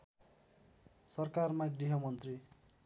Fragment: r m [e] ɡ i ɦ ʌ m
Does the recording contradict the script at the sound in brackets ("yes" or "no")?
yes